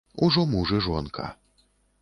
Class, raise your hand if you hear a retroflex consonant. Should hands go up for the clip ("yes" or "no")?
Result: yes